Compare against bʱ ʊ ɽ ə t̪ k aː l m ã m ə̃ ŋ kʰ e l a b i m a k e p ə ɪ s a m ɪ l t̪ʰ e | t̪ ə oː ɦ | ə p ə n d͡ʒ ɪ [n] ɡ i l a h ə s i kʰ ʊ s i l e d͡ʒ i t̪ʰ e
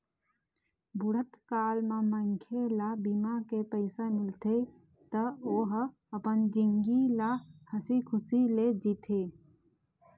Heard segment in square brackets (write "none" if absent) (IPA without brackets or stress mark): ŋ